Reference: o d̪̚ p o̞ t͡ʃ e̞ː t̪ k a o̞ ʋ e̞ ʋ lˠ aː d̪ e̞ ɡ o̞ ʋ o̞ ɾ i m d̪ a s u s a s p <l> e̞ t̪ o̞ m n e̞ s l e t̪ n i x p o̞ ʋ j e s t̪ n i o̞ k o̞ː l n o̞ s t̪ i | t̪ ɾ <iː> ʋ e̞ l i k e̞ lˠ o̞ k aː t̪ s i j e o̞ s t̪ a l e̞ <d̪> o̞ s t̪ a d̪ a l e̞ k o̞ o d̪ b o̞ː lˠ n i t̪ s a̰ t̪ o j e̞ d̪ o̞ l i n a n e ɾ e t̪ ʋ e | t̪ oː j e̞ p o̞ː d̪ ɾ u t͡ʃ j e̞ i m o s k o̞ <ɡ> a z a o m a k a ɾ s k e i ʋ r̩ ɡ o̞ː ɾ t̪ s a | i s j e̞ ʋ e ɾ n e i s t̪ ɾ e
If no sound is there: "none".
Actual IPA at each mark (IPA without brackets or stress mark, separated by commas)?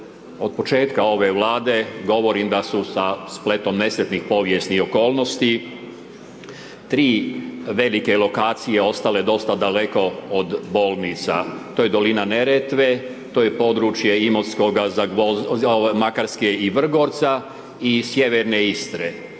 l, iː, d̪, ɡ